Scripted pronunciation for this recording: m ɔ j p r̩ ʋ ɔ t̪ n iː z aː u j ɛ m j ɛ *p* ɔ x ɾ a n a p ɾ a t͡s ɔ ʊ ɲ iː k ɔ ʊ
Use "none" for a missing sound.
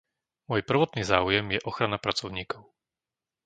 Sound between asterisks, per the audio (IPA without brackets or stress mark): ʔ